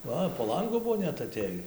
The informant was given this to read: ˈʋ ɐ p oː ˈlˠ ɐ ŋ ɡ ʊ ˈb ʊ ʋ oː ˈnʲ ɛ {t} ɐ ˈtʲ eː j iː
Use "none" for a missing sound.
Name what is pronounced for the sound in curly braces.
t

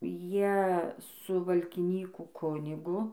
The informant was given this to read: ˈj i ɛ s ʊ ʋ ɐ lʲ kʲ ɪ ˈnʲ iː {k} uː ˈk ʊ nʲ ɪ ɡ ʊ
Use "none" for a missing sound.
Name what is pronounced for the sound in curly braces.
k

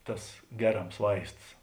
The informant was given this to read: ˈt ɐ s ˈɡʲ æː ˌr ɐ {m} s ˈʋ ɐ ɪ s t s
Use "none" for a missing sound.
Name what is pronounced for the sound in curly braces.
m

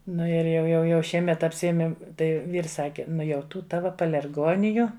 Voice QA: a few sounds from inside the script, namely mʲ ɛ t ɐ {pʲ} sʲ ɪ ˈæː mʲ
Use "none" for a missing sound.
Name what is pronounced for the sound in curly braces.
pʲ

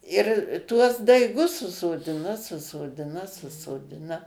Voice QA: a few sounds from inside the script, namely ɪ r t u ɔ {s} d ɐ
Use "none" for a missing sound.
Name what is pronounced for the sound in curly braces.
s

